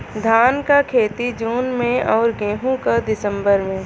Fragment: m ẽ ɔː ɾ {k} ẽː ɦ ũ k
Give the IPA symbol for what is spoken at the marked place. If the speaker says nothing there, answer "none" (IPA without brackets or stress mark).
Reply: ɡ